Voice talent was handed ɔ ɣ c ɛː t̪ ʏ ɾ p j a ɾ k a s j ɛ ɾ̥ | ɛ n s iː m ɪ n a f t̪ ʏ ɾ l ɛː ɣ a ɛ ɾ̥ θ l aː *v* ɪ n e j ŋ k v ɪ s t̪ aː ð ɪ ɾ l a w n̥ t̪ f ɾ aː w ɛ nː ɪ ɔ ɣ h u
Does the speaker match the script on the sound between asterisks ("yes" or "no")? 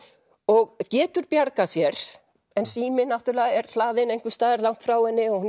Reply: no